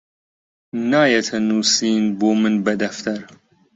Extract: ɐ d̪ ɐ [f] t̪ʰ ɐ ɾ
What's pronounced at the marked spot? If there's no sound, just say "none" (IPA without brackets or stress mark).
f